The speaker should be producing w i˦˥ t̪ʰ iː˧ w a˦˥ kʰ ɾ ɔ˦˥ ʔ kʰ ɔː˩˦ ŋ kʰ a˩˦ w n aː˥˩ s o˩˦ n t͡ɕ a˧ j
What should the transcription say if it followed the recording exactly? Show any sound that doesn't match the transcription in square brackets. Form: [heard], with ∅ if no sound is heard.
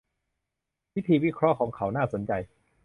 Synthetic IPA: w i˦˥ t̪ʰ iː˧ w [i˦˥] kʰ ɾ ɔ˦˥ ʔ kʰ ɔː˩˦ ŋ kʰ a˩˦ w n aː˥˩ s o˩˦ n t͡ɕ a˧ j